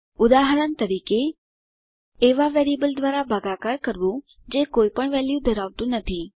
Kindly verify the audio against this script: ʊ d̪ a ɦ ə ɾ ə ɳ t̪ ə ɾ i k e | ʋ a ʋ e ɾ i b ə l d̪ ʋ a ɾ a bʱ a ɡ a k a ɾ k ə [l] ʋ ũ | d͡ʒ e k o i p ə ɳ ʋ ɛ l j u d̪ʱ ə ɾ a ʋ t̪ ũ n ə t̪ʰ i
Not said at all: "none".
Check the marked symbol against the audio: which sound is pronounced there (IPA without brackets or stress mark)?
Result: ɾ